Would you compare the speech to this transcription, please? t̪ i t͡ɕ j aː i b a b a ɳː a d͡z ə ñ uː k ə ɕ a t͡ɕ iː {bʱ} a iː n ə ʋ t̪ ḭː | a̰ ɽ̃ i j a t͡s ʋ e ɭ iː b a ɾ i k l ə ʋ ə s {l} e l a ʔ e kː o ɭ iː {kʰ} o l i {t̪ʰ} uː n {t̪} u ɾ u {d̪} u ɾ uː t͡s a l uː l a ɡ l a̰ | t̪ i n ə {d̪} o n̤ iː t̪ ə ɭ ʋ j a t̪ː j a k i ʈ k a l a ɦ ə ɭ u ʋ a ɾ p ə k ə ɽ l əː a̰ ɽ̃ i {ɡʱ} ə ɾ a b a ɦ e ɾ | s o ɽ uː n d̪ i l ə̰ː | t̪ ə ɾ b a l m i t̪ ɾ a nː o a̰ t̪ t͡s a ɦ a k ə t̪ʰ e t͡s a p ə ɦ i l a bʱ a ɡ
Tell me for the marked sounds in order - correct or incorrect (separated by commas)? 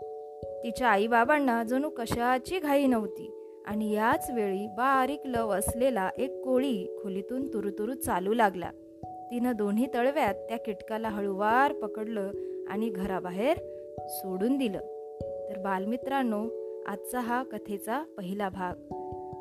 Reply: incorrect, correct, correct, incorrect, correct, incorrect, correct, correct